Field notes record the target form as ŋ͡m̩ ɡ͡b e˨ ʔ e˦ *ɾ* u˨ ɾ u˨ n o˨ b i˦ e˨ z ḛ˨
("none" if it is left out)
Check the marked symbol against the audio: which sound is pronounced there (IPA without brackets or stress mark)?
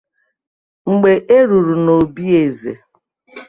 ɾ